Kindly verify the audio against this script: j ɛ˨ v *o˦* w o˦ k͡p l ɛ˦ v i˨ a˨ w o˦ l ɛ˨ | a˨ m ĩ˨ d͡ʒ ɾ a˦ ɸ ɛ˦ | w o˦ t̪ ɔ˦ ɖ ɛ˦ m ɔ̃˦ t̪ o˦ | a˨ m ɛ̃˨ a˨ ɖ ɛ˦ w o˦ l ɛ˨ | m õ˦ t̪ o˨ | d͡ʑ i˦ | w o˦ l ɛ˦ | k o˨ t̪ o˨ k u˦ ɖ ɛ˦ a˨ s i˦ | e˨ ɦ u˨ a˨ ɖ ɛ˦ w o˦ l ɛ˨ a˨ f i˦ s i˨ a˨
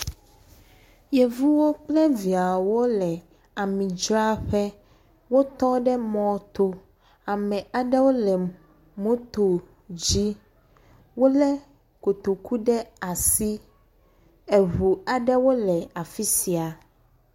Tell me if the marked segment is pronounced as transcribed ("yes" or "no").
no